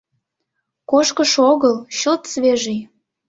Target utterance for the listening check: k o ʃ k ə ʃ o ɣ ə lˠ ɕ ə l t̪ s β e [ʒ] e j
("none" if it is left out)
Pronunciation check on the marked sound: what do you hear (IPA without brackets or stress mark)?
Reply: ʒ